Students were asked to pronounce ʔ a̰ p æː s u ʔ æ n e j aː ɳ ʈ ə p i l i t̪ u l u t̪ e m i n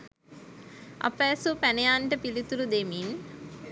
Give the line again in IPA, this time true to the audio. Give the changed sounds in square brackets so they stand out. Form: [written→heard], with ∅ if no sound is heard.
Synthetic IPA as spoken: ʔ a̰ p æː s u [ʔ→p] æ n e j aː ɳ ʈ ə p i l i t̪ u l u [t̪→d̪] e m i n